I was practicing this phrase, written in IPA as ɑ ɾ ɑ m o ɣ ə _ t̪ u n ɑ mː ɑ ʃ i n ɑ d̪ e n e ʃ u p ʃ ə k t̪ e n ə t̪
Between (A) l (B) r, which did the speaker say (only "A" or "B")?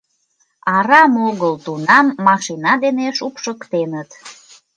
A